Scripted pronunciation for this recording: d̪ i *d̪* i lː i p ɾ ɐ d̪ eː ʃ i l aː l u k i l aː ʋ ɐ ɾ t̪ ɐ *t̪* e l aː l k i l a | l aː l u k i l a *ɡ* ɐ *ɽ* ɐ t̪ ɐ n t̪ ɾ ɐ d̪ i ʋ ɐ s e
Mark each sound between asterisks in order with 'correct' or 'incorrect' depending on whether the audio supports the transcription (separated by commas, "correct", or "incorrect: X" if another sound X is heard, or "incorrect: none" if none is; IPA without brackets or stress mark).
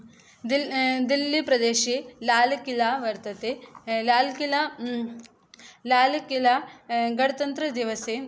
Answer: correct, correct, correct, correct